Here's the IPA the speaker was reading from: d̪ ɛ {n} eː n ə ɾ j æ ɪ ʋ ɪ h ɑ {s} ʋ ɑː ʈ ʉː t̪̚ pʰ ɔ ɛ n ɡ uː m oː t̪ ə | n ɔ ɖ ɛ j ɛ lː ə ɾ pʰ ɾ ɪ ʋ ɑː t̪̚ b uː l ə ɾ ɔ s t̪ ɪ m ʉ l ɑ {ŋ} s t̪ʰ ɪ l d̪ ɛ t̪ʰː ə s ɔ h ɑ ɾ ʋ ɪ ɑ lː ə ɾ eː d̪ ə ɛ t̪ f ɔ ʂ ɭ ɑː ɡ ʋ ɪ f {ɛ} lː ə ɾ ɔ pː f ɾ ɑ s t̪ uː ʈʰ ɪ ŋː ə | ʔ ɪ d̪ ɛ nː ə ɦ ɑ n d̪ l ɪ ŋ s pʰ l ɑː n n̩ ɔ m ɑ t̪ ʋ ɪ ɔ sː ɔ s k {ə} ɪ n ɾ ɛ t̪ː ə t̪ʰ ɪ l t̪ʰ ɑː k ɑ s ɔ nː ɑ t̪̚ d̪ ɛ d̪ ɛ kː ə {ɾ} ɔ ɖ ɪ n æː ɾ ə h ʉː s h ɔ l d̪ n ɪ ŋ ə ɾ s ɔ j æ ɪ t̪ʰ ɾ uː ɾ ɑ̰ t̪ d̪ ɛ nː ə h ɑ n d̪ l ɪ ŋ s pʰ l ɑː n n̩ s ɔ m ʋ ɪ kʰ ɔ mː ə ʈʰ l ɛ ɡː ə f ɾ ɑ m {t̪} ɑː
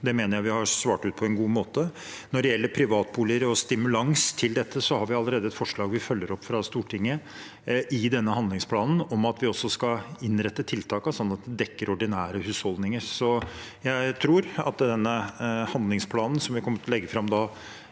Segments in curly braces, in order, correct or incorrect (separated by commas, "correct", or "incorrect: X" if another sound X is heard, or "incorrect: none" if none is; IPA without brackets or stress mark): incorrect: m, correct, correct, incorrect: œ, incorrect: ɑ, correct, incorrect: d̪